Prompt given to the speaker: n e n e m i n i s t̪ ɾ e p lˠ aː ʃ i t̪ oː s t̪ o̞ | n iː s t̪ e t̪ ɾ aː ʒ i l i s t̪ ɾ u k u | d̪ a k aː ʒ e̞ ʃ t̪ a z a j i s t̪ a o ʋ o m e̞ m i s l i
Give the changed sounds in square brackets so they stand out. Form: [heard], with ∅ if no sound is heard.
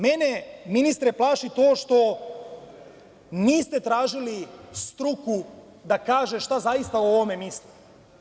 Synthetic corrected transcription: [m] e n e m i n i s t̪ ɾ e p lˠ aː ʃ i t̪ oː [ʃ] t̪ o̞ | n iː s t̪ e t̪ ɾ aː ʒ i l i s t̪ ɾ u k u | d̪ a k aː ʒ e̞ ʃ t̪ a z a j i s t̪ a o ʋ o m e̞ m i s l i